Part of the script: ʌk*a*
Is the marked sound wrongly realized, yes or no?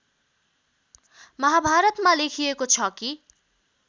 yes